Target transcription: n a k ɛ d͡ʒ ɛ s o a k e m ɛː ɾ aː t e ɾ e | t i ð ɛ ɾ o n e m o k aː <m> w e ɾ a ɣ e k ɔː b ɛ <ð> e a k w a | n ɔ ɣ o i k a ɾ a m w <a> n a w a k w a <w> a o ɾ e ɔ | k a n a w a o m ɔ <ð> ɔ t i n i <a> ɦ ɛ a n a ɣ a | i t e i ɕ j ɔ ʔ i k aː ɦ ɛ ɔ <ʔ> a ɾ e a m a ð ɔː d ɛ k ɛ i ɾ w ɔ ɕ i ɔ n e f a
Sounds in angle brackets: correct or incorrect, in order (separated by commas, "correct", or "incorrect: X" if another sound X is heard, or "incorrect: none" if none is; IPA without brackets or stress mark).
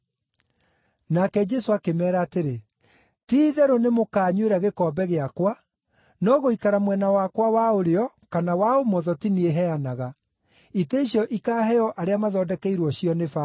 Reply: incorrect: ɲ, incorrect: ɣ, incorrect: ɛ, correct, correct, incorrect: e, correct